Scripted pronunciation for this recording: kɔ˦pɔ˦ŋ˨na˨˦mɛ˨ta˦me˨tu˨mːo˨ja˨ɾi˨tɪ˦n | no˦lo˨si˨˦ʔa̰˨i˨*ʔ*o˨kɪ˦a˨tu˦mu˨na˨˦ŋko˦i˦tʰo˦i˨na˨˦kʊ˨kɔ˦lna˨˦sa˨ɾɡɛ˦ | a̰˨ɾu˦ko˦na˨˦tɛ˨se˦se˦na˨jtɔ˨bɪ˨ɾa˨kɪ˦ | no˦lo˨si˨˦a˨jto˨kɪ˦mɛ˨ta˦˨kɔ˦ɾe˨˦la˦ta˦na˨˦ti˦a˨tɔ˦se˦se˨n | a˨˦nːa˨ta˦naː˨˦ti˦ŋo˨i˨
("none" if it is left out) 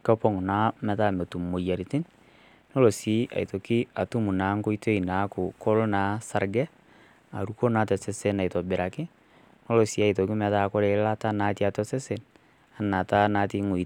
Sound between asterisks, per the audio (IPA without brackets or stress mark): t